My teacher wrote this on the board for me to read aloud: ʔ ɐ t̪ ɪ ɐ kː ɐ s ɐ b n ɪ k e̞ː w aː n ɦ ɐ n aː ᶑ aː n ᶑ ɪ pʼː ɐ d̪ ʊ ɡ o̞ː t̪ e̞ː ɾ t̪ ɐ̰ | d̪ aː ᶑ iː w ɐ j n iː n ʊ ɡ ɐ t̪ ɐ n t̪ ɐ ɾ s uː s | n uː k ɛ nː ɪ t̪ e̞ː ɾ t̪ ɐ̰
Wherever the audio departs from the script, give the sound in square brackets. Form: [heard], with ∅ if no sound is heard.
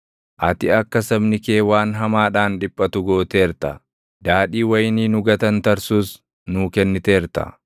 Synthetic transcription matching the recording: ʔ ɐ t̪ ɪ ɐ kː ɐ s ɐ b n ɪ k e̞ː w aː n ɦ ɐ [m] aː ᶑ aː n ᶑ ɪ pʼː ɐ [t̪] ʊ ɡ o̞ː t̪ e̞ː ɾ t̪ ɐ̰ | d̪ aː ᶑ iː w ɐ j n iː n ʊ ɡ ɐ t̪ ɐ n t̪ ɐ ɾ s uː s | n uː k ɛ nː ɪ t̪ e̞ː ɾ t̪ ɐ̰